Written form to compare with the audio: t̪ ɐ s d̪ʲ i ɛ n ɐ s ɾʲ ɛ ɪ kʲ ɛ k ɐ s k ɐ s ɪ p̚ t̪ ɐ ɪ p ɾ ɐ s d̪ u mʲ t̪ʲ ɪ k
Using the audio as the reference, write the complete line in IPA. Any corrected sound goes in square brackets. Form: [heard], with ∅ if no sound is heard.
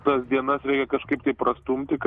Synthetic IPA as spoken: t̪ ɐ s d̪ʲ i ɛ n ɐ s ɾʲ ɛ ɪ kʲ ɛ k ɐ [ʃ] k ɐ [∅] ɪ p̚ t̪ ɐ ɪ p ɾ ɐ s [t̪] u mʲ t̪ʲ ɪ k